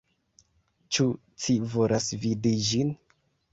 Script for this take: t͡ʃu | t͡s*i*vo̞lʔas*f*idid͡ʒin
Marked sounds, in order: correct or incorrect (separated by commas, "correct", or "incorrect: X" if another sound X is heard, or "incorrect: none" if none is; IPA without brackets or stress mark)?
correct, incorrect: v